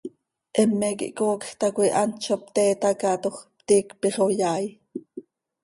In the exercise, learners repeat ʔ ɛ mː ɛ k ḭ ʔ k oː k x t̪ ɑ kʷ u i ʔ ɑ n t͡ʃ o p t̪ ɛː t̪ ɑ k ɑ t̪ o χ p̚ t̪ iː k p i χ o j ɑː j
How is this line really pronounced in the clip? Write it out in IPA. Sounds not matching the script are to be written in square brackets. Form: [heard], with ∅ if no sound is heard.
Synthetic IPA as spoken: ʔ ɛ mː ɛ k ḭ ʔ k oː k x t̪ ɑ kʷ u i ʔ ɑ n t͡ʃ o p t̪ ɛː t̪ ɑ k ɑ t̪ o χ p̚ t̪ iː k p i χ o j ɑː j